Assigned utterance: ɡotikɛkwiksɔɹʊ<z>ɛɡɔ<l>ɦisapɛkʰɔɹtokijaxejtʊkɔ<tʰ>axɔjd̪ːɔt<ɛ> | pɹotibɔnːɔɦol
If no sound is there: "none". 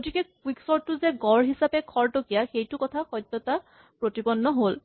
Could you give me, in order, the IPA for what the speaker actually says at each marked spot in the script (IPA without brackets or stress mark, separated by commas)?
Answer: z, ɹ, tʰ, a